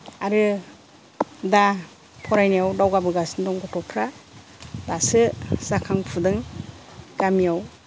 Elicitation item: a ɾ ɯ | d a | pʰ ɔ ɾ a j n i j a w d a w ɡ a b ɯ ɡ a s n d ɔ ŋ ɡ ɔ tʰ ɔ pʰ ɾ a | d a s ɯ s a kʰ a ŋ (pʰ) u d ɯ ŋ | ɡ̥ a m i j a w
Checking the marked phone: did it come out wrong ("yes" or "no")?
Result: no